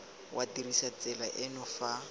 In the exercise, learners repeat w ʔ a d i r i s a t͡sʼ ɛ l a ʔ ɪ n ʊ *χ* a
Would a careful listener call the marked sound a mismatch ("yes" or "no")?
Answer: yes